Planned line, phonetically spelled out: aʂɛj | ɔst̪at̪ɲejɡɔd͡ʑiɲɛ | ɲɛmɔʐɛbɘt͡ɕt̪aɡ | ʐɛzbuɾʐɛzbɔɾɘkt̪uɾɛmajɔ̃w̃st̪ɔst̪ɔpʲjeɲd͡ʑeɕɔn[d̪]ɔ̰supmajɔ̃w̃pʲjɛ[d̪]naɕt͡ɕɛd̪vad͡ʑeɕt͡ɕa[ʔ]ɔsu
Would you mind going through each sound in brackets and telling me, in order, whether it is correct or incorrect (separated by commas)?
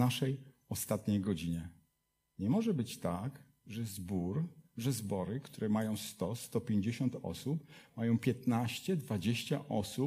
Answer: incorrect, incorrect, correct